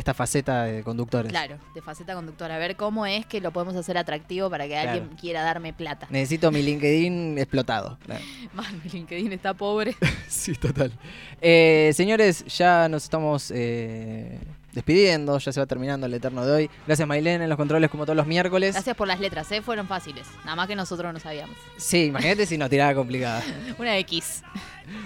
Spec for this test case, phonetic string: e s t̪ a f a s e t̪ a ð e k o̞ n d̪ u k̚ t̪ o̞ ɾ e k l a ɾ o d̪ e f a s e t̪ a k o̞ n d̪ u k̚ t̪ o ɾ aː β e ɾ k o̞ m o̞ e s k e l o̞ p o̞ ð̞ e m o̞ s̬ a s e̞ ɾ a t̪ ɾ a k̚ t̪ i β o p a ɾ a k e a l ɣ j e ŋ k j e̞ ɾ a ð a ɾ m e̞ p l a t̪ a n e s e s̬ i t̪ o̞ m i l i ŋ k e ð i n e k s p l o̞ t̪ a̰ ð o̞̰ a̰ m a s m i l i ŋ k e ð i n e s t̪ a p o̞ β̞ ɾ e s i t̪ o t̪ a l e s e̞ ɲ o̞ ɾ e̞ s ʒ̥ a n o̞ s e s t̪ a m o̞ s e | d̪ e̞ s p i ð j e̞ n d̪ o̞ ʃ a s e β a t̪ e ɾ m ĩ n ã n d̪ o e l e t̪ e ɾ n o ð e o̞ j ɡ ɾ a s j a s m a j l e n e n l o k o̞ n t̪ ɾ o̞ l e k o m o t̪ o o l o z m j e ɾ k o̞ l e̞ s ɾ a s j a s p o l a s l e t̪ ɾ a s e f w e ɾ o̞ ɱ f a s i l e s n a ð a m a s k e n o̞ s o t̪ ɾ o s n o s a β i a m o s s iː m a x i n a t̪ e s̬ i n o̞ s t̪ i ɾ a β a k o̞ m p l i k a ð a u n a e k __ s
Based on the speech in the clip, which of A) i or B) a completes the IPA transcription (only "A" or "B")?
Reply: A